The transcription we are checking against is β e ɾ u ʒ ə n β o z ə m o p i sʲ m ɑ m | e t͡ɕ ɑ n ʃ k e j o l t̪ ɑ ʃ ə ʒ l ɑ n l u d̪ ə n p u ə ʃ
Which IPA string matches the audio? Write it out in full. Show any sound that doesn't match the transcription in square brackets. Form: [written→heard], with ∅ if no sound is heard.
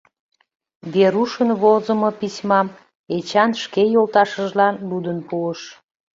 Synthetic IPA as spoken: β e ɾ u [ʒ→ʃ] ə n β o z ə m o p i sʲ m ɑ m | e t͡ɕ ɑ n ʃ k e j o l t̪ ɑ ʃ ə ʒ l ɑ n l u d̪ ə n p u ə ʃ